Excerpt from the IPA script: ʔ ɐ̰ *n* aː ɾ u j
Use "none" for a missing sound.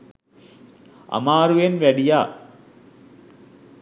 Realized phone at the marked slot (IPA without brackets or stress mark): m